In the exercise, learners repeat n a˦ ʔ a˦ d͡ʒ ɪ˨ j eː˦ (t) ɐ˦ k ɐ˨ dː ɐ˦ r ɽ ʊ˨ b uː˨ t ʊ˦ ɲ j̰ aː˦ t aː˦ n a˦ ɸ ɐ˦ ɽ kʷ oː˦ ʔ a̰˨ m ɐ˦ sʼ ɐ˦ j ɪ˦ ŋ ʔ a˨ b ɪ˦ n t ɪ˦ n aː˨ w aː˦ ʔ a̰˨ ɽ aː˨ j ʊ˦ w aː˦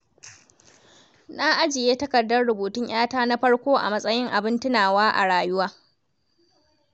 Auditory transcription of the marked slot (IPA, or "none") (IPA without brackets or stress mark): t